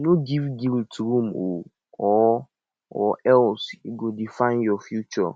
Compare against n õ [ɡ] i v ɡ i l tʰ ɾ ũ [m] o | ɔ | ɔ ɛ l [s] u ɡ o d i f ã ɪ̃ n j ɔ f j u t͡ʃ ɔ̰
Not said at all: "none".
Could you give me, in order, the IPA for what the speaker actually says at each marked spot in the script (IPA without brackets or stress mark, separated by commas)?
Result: ɡ, m, s